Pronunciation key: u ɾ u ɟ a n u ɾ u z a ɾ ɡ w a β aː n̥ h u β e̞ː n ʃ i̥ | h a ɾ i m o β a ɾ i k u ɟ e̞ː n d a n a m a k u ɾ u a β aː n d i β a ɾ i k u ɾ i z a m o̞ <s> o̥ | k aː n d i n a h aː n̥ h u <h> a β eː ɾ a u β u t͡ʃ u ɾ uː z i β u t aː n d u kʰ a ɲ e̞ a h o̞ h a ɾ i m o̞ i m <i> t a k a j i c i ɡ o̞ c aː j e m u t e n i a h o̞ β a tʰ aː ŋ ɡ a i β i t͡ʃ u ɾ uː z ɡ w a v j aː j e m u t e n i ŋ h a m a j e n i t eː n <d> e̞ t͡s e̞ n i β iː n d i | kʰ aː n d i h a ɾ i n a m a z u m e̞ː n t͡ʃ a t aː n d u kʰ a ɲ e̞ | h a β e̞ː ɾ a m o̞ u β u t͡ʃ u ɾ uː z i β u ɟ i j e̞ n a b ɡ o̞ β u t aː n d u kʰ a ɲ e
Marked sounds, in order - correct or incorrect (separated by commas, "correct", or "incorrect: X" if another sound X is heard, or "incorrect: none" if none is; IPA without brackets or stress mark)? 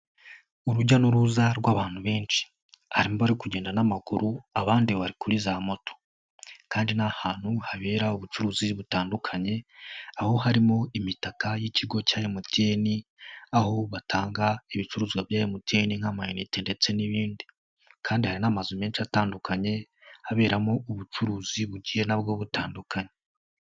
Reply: incorrect: t, correct, correct, correct